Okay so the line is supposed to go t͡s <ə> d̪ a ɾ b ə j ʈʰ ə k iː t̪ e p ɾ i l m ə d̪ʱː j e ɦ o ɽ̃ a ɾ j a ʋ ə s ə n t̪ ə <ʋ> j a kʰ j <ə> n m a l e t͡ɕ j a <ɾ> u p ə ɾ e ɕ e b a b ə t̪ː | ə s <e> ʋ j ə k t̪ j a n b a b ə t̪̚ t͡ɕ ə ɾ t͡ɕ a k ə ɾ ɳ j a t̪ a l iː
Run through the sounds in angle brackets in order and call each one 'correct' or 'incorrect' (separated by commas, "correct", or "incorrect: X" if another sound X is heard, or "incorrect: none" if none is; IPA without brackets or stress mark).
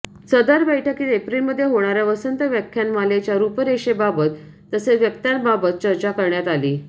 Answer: correct, correct, incorrect: a, correct, correct